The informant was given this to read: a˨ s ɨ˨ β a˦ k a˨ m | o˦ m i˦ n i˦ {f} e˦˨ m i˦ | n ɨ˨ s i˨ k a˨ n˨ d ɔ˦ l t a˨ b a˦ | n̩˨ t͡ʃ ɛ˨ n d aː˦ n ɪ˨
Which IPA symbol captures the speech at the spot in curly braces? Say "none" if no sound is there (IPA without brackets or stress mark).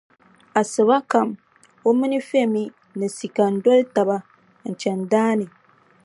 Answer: f